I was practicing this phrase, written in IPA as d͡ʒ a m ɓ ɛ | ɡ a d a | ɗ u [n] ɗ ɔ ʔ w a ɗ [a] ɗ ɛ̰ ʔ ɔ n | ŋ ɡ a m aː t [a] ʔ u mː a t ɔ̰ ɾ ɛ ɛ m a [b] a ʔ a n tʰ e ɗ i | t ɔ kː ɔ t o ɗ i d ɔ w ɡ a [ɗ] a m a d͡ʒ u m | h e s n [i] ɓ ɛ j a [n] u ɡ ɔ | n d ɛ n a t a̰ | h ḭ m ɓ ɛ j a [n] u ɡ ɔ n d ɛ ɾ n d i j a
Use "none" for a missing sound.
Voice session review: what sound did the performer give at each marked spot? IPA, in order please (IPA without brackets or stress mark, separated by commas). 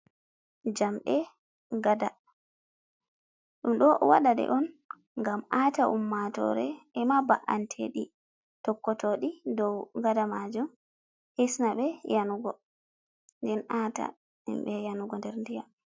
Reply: m, a, a, b, d, a, n, n